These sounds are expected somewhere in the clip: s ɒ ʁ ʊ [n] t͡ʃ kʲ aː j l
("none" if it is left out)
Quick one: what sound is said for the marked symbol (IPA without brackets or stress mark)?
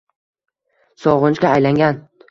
n